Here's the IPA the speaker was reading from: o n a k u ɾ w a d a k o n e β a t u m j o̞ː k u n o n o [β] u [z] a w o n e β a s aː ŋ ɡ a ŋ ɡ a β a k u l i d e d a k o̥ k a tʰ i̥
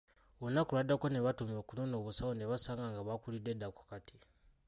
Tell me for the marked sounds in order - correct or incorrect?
correct, incorrect

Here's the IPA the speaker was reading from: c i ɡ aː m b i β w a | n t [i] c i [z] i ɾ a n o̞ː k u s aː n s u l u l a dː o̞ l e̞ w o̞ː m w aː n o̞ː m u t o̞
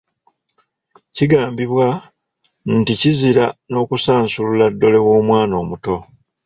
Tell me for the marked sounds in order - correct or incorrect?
correct, correct

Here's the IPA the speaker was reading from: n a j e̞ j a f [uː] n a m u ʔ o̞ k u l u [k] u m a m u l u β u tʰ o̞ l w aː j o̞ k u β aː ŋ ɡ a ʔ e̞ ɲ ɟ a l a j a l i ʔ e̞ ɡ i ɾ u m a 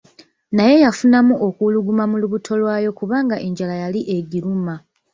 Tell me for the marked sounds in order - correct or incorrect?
incorrect, incorrect

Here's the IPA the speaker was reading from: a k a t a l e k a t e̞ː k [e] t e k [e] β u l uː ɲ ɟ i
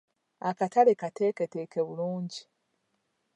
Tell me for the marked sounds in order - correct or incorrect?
correct, correct

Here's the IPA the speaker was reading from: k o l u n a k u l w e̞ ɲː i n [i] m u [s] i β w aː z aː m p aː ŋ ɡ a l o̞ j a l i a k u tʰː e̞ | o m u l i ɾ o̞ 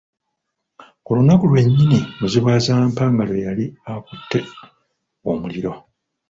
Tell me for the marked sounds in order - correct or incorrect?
correct, incorrect

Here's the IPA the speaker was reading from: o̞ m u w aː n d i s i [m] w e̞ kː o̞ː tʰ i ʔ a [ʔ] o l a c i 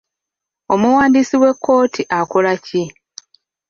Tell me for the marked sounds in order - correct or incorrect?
incorrect, incorrect

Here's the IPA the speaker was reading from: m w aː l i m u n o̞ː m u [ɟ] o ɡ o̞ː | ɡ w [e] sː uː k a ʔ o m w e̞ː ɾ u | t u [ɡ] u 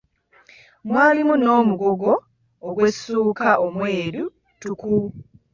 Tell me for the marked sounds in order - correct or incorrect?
incorrect, correct, incorrect

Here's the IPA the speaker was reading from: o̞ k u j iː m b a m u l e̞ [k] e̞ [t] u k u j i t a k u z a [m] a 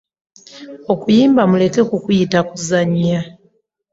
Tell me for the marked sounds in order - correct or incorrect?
correct, incorrect, incorrect

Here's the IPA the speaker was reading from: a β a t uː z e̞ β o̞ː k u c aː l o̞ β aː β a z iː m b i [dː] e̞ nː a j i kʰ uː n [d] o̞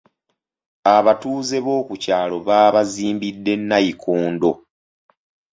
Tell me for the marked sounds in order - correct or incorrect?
correct, correct

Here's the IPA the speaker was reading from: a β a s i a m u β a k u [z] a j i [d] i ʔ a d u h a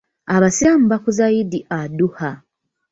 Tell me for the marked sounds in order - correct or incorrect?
correct, correct

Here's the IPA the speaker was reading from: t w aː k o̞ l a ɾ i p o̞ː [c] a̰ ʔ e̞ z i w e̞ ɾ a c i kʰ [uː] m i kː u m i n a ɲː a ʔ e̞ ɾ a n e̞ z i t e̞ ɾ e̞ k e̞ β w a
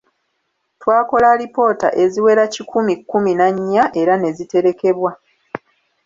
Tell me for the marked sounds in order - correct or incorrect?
incorrect, incorrect

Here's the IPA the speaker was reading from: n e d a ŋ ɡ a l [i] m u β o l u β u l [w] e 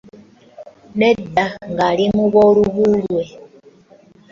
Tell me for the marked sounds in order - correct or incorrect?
correct, correct

